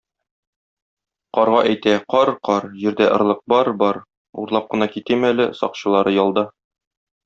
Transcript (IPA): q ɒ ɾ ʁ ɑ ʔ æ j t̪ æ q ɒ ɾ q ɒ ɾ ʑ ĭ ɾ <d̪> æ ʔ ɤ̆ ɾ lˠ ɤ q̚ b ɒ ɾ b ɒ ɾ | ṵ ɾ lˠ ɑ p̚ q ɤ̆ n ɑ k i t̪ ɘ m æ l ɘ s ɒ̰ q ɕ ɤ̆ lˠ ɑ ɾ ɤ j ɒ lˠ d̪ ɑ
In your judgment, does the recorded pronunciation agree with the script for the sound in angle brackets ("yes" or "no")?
yes